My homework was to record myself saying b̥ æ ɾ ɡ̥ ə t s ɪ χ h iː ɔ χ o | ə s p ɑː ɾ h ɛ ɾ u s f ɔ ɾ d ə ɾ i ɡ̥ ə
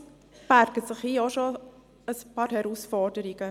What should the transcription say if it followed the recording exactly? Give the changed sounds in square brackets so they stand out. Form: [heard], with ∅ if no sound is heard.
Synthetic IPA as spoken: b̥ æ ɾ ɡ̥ ə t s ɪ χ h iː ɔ [ʃ] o | ə s p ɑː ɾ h ɛ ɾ u s f ɔ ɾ d ə ɾ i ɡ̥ ə